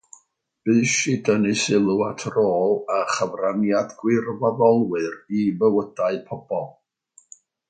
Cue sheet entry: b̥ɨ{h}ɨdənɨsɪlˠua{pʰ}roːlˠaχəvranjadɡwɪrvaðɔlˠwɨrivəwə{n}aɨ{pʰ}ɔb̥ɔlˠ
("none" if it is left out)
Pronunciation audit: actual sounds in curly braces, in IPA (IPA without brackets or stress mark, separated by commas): ʃ, tʰ, d, pʰ